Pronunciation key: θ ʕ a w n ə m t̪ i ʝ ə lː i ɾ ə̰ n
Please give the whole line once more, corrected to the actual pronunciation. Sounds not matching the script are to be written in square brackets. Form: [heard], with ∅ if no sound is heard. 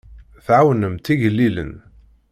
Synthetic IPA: θ ʕ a w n ə m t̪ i ʝ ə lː i [l] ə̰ n